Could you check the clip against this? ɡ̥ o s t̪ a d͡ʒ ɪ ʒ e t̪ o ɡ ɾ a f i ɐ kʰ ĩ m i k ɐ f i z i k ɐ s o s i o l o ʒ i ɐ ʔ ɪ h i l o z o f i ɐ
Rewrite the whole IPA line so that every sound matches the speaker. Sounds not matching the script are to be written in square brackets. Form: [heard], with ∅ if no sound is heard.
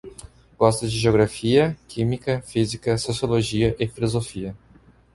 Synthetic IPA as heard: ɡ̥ [ɔ] s t̪ [ɐ] d͡ʒ ɪ ʒ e [∅] o ɡ ɾ a f i ɐ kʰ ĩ m i k ɐ f i z i k ɐ s o s i o l o ʒ i ɐ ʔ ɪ [f] i l o z o f i ɐ